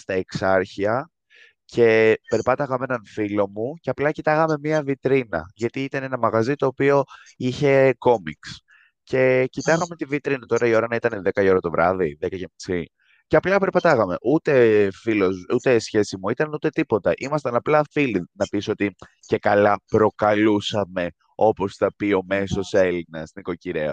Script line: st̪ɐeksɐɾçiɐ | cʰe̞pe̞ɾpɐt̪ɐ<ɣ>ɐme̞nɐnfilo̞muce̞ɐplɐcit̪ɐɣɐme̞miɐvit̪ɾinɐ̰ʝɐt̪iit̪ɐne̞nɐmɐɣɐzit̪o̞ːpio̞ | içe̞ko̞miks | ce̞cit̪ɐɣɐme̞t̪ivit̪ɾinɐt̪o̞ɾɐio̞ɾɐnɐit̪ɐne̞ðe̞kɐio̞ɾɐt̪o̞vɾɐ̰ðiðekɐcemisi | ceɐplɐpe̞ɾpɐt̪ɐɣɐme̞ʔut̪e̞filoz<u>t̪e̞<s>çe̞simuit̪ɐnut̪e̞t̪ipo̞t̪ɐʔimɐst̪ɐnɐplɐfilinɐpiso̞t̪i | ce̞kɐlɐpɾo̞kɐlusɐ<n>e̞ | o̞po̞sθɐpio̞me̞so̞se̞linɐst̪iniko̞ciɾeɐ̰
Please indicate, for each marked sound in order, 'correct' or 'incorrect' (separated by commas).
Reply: correct, correct, correct, incorrect